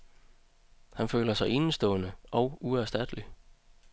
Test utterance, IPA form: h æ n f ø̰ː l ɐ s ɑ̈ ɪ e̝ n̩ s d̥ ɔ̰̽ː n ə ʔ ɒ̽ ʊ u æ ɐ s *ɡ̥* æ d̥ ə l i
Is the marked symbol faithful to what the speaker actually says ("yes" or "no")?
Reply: no